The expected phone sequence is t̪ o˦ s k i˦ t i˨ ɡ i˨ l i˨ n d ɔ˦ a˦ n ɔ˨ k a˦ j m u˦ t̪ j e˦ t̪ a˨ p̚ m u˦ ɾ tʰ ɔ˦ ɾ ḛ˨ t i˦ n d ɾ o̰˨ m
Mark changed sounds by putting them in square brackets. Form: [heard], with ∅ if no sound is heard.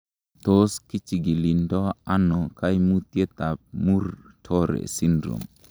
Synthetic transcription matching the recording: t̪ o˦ s k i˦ [t͡ʃ] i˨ ɡ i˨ l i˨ n d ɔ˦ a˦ n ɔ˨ k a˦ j m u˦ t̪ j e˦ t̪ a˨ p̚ m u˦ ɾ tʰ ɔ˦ ɾ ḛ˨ [s] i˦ n d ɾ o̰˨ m